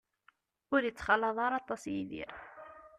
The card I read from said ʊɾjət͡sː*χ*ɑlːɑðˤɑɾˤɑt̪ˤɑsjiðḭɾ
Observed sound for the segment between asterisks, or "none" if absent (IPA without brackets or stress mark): χ